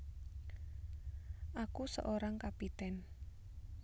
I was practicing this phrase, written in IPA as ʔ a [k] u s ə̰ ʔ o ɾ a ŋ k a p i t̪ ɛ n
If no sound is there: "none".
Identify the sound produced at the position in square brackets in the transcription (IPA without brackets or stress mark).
k